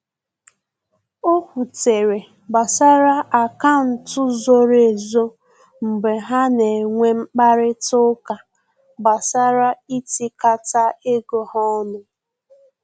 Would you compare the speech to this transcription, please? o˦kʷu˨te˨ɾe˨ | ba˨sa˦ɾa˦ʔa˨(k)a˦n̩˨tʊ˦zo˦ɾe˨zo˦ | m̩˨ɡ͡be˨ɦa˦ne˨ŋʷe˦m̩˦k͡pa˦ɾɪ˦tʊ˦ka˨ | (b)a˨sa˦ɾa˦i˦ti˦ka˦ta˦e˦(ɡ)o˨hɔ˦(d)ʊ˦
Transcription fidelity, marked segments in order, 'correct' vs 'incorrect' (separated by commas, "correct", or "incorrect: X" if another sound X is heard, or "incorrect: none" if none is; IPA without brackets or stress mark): correct, correct, correct, incorrect: n